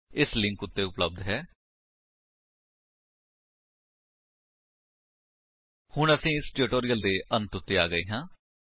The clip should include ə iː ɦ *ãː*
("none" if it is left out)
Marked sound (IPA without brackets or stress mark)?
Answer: ãː